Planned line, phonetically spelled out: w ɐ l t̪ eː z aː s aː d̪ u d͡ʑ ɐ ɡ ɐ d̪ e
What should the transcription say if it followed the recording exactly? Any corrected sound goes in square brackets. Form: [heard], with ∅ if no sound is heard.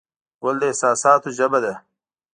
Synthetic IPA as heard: w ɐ l [d̪] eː [s] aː s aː [t̪] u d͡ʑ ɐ [b] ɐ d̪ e